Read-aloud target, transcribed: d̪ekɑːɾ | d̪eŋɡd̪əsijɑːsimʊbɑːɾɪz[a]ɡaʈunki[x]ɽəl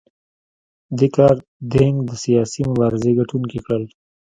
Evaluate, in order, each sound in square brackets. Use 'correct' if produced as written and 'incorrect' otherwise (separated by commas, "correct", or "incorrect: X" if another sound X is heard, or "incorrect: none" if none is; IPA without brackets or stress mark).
incorrect: e, incorrect: k